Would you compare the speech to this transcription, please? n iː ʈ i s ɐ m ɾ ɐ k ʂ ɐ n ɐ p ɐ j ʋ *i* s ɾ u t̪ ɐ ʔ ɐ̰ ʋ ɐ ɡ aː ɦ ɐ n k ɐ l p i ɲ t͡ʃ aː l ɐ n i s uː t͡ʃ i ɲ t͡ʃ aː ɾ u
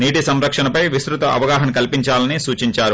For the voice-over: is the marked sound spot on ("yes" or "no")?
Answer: yes